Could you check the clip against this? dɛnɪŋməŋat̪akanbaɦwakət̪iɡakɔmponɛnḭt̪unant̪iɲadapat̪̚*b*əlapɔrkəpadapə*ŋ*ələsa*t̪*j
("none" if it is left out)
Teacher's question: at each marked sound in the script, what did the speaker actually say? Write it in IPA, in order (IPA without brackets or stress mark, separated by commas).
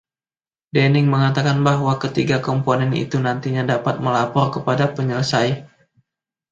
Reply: m, ɲ, none